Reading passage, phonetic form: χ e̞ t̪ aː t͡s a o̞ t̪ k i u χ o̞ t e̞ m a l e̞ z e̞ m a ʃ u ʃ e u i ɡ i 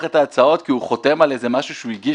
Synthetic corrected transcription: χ e̞ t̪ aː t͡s a o̞ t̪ k i u χ o̞ t e̞ m a l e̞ z e̞ m a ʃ u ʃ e u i ɡ i